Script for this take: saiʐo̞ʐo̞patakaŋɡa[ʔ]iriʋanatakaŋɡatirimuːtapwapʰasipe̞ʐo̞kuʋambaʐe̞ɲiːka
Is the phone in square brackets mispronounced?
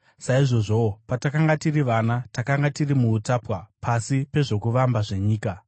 yes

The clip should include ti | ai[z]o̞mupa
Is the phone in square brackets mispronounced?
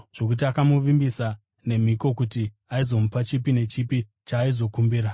no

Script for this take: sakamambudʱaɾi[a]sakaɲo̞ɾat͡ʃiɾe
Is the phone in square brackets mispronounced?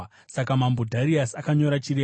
no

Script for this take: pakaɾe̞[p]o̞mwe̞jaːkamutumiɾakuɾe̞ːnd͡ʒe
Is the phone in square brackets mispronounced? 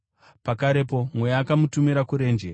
no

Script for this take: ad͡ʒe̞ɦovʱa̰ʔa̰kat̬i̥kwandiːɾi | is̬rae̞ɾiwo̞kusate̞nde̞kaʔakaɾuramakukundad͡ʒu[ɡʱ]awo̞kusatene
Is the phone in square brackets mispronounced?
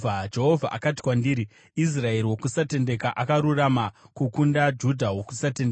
yes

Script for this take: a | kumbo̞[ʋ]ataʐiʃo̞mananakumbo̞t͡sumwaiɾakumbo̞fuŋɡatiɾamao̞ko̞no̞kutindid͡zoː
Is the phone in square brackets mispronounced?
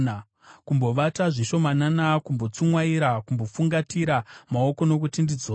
no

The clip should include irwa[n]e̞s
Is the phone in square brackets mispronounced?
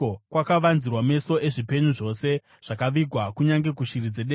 yes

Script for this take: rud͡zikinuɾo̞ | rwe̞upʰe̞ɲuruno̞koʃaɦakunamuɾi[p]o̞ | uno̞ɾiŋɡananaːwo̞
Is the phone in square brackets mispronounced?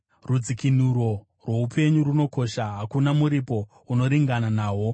no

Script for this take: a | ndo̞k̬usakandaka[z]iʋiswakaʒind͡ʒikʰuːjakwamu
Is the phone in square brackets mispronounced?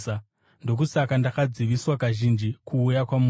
yes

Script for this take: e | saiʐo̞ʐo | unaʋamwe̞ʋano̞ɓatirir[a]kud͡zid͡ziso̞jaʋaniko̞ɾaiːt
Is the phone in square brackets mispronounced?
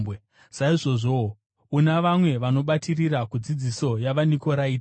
no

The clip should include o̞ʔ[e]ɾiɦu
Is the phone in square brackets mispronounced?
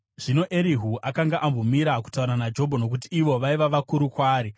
no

